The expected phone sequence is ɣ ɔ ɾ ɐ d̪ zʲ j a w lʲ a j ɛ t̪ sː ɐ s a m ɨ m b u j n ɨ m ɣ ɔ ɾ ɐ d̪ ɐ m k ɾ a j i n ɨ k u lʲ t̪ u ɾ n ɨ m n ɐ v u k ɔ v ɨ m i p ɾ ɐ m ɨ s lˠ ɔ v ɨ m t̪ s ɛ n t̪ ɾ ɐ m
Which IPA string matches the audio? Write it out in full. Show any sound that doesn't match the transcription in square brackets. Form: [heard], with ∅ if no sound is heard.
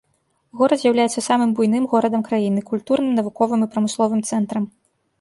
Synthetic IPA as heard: ɣ ɔ ɾ ɐ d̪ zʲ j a w lʲ a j ɛ t̪ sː ɐ s a m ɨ m b u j n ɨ m ɣ ɔ ɾ ɐ d̪ ɐ m k ɾ a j i n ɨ k u lʲ t̪ u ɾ n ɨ m n ɐ v u k ɔ v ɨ m i p ɾ ɐ m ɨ s lˠ ɔ v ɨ m t̪ s ɛ n t̪ ɾ ɐ m